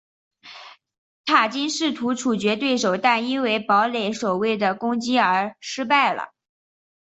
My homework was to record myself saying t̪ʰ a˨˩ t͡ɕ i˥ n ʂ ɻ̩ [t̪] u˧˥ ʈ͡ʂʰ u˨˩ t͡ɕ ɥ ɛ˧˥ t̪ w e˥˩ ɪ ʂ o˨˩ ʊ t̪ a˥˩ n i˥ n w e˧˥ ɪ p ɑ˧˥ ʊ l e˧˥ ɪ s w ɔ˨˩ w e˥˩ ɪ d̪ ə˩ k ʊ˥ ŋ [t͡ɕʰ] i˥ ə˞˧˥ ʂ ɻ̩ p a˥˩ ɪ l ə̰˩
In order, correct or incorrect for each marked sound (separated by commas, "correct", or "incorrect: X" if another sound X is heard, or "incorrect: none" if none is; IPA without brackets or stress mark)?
incorrect: t̪ʰ, incorrect: t͡ɕ